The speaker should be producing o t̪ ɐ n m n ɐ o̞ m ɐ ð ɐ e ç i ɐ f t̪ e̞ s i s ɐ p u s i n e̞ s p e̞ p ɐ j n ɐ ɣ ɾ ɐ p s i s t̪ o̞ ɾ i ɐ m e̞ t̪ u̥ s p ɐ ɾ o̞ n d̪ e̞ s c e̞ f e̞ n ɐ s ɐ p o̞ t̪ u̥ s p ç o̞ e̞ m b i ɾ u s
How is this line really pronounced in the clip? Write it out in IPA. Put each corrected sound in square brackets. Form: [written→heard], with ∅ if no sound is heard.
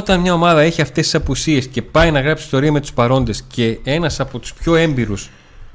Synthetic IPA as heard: o t̪ ɐ n m [n→ɲ] ɐ o̞ m ɐ ð ɐ e ç i ɐ f t̪ e̞ s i s ɐ p u s i [n→∅] e̞ s [p→c] e̞ p ɐ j n ɐ ɣ ɾ ɐ p s i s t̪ o̞ ɾ i ɐ m e̞ t̪ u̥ s p ɐ ɾ o̞ n d̪ e̞ s c e̞ [f→∅] e̞ n ɐ s ɐ p o̞ t̪ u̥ s p ç o̞ e̞ m b i ɾ u s